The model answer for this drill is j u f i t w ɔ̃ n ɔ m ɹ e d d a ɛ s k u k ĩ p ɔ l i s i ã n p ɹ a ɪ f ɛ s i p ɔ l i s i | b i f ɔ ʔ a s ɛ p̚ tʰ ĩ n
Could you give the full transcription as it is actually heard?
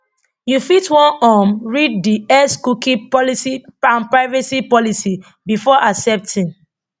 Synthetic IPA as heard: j u f i t w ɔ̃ n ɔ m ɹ i d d i ɛ s k u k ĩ p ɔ l i s i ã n p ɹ a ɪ v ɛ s i p ɔ l i s i | b i f ɔ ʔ a s ɛ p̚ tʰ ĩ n